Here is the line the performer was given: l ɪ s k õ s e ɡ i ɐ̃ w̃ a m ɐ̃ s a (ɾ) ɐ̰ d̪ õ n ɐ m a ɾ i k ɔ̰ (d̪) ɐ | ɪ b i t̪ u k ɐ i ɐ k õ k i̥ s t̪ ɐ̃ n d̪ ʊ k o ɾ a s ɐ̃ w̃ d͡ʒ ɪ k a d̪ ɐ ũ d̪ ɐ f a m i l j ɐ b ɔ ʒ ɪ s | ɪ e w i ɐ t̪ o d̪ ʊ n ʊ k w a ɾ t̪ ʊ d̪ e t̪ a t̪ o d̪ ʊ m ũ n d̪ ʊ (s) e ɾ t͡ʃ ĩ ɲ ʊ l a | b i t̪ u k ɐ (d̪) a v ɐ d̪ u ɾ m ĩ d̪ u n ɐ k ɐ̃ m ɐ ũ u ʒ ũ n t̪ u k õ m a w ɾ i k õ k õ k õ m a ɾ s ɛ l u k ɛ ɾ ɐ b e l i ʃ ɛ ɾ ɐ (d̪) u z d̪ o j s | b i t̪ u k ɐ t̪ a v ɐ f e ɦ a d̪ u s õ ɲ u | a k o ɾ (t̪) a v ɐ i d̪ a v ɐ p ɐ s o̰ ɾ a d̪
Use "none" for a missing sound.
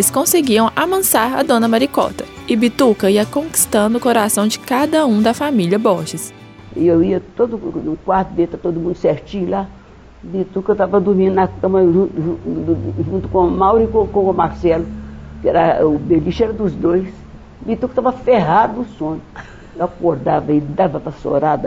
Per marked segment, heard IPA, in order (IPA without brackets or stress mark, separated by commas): ɾ, t̪, s, t̪, d̪, d̪